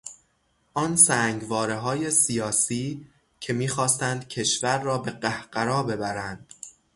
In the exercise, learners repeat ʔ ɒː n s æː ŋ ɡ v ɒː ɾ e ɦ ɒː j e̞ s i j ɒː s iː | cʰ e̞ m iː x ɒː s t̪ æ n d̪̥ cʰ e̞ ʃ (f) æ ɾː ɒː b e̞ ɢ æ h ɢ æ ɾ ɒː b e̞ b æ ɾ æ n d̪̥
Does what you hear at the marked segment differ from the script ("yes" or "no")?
yes